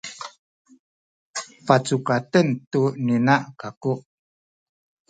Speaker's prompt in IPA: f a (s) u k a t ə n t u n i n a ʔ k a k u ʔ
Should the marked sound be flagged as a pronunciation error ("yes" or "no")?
yes